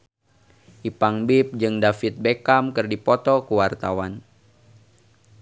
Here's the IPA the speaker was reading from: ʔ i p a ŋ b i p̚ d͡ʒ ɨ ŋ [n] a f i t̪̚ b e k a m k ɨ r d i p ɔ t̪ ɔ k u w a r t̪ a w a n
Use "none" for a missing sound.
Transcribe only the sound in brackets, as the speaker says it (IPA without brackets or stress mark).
d